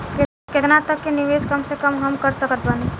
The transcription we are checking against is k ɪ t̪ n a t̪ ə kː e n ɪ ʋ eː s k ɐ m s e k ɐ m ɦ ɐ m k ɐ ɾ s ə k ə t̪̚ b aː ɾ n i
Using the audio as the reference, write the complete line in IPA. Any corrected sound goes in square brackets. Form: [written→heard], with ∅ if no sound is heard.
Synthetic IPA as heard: k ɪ t̪ n a t̪ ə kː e n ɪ ʋ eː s k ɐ m s e k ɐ m ɦ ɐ m k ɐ ɾ s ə k ə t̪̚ b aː [ɾ→∅] n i